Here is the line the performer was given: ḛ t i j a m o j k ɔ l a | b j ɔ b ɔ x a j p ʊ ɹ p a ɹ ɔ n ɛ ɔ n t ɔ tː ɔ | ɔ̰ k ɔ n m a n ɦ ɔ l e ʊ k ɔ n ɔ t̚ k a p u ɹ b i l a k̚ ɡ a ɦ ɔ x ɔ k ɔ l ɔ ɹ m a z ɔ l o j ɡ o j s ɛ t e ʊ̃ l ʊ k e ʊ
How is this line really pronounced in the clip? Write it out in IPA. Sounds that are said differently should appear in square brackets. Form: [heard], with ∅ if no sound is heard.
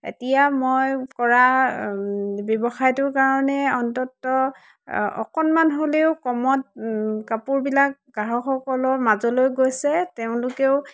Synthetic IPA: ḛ t i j a m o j k ɔ [ɹ] a | b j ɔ b ɔ x a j [t] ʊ ɹ [k] a ɹ ɔ n ɛ ɔ n t ɔ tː ɔ | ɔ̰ k ɔ n m a n ɦ [o] l e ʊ k ɔ [m] ɔ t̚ k a p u ɹ b i l a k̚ ɡ a ɦ ɔ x ɔ k ɔ l ɔ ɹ m a z ɔ l o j ɡ o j s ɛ t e ʊ̃ l ʊ k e ʊ